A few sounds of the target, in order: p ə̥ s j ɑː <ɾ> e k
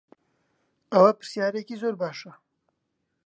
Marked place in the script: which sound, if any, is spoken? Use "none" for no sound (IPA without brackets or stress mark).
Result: ɾ